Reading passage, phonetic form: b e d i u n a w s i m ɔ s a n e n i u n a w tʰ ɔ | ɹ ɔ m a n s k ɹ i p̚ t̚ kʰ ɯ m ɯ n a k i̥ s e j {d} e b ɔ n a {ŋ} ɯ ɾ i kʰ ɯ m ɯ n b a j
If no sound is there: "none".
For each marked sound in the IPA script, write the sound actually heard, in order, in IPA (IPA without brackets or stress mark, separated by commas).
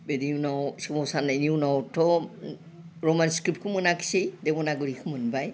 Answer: d, ɡ